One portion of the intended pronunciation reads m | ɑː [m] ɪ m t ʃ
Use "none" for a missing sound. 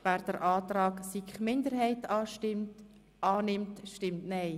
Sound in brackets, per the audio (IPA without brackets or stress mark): n